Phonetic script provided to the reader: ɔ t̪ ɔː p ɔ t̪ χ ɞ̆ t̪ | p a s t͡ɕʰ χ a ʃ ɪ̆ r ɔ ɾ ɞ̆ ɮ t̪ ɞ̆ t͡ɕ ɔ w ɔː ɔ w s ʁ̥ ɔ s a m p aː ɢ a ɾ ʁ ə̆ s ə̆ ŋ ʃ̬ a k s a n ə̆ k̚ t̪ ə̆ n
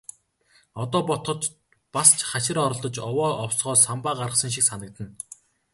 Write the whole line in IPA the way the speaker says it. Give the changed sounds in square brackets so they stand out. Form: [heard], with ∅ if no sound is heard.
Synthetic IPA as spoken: ɔ t̪ ɔː p ɔ t̪ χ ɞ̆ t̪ | p a s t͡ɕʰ χ a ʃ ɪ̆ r ɔ ɾ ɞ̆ ɮ t̪ ɞ̆ t͡ɕ ɔ w ɔː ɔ w s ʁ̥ [ɔː] s a m p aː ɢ a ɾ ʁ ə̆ s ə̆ ŋ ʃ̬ [i] k s a n ə̆ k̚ t̪ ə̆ n